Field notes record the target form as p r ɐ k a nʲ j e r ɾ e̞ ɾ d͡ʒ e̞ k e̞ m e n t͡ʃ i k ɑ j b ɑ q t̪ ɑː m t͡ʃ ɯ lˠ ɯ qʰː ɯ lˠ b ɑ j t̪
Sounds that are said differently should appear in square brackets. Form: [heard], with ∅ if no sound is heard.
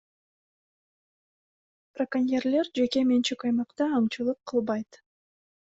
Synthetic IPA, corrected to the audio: p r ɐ k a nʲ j e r [l] e̞ ɾ d͡ʒ e̞ k e̞ m e n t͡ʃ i k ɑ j [m] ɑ q t̪ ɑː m t͡ʃ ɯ lˠ ɯ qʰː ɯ lˠ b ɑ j t̪